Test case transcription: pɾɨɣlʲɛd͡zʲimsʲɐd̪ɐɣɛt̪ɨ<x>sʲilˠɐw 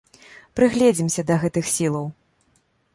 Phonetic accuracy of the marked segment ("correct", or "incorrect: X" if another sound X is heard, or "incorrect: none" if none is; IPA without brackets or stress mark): correct